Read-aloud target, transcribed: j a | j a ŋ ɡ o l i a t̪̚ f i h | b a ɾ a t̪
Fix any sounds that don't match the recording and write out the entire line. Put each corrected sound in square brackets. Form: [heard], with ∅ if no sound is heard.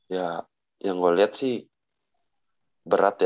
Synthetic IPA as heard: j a | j a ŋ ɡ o l i a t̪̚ [s] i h | b [ə] ɾ a t̪